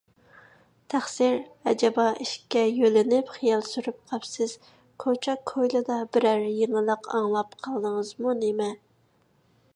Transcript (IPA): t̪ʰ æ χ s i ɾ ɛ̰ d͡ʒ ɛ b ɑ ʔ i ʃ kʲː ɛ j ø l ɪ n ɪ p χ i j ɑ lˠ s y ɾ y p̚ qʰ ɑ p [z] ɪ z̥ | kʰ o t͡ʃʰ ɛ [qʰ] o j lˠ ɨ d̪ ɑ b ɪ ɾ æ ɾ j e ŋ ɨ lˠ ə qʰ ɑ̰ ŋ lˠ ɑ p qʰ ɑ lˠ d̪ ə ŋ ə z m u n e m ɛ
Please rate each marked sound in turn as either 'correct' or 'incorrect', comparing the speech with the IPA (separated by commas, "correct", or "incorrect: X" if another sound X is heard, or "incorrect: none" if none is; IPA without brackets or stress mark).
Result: incorrect: s, incorrect: kʰ